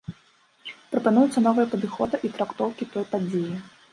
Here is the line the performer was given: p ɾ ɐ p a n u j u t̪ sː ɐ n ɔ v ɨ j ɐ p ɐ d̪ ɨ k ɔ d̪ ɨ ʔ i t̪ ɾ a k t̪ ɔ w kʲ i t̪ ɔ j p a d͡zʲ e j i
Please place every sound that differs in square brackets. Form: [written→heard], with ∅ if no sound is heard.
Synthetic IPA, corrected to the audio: p ɾ ɐ p a n u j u t̪ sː ɐ n ɔ v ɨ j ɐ p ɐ d̪ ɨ [k→x] ɔ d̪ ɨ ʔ i t̪ ɾ a k t̪ ɔ w kʲ i t̪ ɔ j p a d͡zʲ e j i